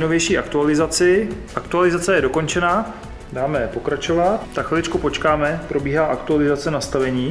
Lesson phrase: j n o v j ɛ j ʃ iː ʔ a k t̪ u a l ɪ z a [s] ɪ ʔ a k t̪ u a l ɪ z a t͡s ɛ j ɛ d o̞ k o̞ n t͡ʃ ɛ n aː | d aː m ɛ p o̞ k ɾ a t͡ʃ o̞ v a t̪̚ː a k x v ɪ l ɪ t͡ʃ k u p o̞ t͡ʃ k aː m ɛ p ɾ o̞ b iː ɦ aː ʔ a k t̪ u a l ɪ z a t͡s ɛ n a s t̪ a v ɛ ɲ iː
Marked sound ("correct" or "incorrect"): incorrect